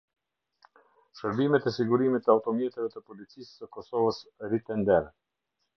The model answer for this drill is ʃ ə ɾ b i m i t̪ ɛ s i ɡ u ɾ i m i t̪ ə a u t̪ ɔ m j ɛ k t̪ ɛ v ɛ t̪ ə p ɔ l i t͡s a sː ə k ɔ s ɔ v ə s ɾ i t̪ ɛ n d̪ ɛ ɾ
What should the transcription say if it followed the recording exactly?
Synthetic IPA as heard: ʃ ə ɾ b i m ɛ t̪ ɛ s i ɡ u ɾ i m i t̪ ə a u t̪ ɔ m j ɛ t̪ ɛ v ɛ t̪ ə p ɔ l i t͡s i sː ə k ɔ s ɔ v ə s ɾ i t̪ ɛ n d̪ ɛ ɾ

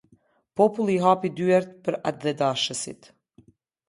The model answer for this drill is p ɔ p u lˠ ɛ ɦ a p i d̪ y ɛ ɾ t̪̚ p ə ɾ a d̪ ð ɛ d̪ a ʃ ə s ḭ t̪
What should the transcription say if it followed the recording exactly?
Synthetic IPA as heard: p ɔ p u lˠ i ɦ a p i d̪ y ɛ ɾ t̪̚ p ə ɾ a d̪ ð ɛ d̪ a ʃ ə s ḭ t̪

